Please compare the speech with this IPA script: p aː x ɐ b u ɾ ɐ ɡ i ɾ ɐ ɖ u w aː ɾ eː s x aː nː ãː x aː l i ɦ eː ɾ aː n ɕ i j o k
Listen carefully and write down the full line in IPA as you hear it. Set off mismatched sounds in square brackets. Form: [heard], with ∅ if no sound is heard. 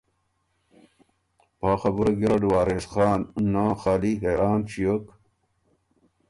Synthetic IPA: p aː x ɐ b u ɾ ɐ ɡ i ɾ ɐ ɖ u w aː ɾ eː s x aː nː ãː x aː l i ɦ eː ɾ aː n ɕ i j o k